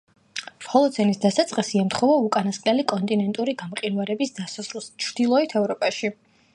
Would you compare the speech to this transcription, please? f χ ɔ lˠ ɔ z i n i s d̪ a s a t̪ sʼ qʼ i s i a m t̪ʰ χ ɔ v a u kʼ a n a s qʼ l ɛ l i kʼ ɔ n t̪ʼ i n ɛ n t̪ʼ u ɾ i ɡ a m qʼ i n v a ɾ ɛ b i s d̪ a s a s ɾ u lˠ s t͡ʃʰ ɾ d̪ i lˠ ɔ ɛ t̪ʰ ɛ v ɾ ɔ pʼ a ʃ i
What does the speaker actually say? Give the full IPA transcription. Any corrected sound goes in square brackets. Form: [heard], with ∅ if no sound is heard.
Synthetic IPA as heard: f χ ɔ lˠ ɔ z [ɛ] n i s d̪ a s a t̪ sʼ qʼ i s i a m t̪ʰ χ ɔ v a u kʼ a n a s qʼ l ɛ l i kʼ ɔ n t̪ʼ i n ɛ n t̪ʼ u ɾ i ɡ a m qʼ i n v a ɾ ɛ b i s d̪ a s a s ɾ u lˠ s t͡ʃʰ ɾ d̪ i lˠ ɔ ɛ t̪ʰ ɛ v ɾ ɔ pʼ a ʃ i